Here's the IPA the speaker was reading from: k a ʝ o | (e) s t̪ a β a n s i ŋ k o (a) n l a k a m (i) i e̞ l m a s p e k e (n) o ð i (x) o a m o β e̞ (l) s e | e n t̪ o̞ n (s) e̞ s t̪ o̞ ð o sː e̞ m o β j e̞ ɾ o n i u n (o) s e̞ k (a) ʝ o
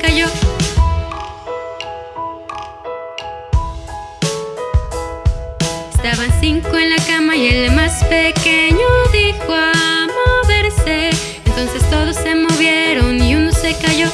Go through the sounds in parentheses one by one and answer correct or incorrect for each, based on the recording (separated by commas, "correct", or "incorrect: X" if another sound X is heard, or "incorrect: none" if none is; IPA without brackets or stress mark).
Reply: correct, incorrect: e, incorrect: a, incorrect: ɲ, correct, incorrect: ɾ, correct, correct, correct